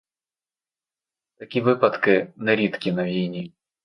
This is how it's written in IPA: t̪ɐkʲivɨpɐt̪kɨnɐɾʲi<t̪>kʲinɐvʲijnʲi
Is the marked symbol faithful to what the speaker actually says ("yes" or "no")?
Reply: yes